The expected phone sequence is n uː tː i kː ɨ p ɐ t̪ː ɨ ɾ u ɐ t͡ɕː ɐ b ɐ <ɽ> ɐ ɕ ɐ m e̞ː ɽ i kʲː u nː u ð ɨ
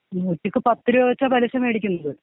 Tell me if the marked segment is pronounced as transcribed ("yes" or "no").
no